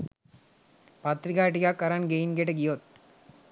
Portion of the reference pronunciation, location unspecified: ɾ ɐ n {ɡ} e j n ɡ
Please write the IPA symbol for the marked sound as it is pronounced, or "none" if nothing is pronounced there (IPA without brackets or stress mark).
ɡ